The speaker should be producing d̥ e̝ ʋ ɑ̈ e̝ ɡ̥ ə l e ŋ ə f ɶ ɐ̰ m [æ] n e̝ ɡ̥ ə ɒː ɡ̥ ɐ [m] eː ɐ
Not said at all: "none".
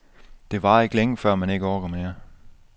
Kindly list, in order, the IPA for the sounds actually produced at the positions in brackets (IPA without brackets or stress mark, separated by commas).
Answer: æ, m